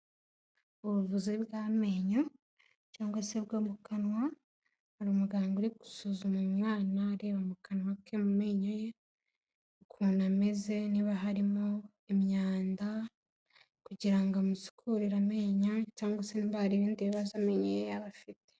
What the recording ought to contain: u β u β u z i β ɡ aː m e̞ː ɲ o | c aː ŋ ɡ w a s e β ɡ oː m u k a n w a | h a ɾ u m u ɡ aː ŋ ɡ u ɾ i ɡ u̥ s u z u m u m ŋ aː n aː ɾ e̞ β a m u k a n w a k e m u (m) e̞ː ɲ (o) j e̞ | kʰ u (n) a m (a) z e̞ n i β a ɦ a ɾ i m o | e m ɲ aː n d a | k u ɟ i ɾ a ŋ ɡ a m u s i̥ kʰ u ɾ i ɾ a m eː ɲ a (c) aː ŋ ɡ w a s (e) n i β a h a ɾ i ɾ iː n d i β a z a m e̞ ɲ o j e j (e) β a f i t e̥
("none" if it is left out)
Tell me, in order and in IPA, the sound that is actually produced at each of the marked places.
m, o, n, e, c, e, a

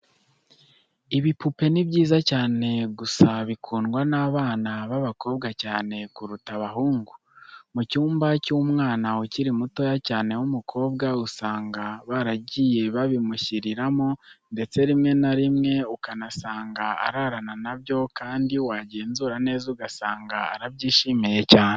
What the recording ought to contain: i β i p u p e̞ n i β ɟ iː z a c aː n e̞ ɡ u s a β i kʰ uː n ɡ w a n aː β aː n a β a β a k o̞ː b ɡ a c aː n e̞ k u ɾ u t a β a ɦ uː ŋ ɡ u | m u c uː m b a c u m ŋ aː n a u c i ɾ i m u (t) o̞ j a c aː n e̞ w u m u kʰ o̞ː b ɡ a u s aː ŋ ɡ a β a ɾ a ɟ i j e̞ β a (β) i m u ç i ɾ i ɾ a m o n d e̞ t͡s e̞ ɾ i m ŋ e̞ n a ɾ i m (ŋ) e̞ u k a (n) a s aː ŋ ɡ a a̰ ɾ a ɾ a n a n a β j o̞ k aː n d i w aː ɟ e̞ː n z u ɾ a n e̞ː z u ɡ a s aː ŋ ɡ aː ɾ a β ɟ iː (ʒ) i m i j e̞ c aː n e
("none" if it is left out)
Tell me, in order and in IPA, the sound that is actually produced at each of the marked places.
t, β, ŋ, n, ʃ

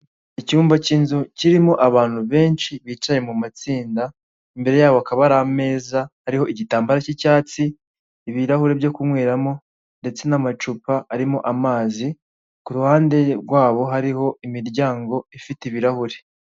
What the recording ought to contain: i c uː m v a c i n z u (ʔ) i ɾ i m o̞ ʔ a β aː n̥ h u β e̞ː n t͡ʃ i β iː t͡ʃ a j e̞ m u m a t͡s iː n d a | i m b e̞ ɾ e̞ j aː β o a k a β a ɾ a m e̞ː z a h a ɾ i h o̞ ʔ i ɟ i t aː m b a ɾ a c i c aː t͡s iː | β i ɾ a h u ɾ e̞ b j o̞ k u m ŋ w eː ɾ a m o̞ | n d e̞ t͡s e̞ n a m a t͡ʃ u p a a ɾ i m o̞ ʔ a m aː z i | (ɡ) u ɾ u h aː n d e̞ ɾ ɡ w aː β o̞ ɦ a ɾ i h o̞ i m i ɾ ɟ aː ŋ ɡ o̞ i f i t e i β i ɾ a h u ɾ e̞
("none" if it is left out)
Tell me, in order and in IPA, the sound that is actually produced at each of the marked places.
c, k

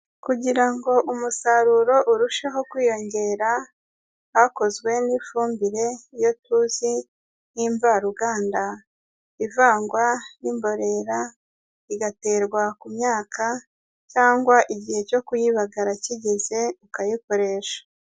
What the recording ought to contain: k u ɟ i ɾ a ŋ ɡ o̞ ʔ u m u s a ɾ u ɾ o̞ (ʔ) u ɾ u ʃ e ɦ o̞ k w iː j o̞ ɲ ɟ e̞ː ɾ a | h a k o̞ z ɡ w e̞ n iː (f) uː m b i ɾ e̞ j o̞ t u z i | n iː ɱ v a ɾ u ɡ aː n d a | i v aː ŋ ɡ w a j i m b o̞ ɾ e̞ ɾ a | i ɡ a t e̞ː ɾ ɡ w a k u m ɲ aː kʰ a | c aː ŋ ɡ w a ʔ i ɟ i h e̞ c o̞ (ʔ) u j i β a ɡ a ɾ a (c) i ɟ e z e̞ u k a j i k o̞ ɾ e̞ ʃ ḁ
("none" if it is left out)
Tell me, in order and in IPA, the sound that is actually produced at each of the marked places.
ʔ, f, k, c

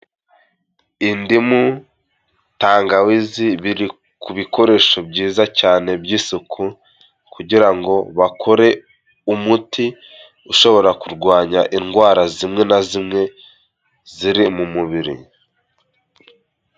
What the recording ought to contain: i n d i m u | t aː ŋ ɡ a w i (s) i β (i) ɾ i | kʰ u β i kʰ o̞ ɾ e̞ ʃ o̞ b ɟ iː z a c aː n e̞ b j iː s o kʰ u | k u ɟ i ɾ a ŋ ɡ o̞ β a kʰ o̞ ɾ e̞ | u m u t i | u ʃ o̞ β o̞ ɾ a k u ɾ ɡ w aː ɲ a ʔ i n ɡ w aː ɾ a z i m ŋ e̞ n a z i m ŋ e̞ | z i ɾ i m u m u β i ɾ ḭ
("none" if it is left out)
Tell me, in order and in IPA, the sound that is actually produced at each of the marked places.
z, i

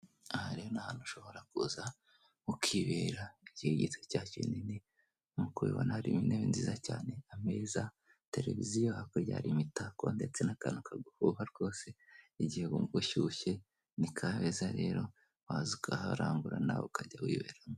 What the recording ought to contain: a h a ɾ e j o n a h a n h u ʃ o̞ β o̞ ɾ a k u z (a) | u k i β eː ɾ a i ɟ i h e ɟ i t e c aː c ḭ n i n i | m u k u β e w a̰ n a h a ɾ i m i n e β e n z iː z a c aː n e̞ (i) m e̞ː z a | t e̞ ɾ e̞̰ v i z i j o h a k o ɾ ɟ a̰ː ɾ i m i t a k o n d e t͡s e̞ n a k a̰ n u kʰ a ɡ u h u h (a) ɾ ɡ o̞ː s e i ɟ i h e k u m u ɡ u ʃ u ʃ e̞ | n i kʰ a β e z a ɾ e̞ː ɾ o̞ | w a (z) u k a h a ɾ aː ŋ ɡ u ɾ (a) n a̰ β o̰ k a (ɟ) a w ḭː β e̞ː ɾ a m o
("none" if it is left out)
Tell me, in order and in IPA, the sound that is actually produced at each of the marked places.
a, a, a, z, a, ɟ

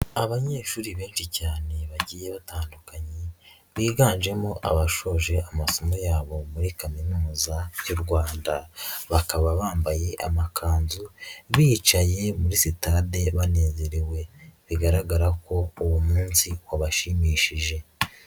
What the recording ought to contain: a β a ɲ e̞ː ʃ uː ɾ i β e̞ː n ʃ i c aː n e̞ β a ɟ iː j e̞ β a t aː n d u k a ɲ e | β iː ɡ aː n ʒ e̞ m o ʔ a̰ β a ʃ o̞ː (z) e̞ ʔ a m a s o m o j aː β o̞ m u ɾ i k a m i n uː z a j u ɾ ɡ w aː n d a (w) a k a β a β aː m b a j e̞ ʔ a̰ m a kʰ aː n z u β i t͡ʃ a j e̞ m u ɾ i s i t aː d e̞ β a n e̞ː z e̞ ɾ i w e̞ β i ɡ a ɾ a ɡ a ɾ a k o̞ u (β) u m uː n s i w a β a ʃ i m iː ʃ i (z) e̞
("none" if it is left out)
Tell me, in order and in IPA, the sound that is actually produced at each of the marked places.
ʒ, β, w, ʒ

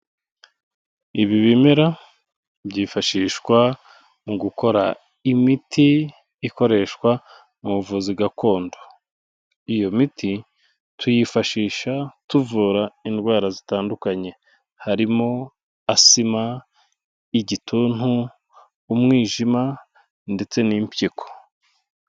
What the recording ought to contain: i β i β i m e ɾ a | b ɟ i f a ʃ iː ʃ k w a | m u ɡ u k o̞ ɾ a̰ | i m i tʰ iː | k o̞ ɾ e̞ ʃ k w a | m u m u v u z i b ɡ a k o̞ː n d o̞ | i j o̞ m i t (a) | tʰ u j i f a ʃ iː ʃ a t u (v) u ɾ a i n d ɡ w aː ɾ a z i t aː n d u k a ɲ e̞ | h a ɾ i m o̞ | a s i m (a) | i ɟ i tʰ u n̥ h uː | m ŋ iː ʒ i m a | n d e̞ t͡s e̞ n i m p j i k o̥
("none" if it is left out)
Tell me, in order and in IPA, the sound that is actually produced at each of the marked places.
i, v, a

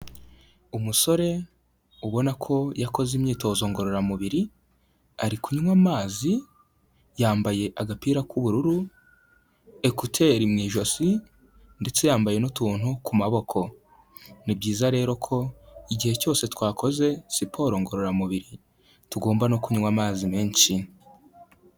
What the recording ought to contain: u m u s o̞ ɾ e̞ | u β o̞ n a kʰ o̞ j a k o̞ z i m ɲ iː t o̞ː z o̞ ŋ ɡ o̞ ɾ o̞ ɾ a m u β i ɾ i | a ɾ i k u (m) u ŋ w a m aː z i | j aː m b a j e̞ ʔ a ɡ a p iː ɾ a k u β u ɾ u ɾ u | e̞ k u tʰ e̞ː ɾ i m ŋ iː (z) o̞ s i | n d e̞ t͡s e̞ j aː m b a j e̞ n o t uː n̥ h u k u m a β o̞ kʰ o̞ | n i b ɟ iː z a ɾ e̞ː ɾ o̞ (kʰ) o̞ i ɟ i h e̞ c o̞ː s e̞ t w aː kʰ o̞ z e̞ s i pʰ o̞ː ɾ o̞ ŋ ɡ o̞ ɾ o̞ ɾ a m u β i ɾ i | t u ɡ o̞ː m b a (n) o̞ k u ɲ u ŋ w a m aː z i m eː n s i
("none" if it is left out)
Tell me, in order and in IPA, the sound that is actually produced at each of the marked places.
ɲ, ʒ, kʰ, n

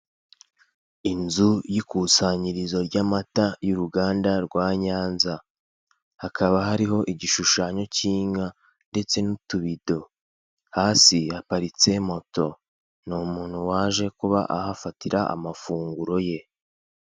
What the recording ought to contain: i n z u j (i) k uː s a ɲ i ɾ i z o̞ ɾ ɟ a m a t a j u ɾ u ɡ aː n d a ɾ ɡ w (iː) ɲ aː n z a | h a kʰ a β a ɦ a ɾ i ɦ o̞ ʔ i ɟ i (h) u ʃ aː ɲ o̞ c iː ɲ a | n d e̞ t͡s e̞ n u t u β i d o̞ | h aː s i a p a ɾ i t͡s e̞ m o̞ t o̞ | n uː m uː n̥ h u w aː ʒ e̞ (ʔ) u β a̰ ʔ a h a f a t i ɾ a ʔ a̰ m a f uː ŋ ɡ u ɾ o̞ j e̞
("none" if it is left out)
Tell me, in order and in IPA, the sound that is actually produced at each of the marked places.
i, aː, ʃ, k

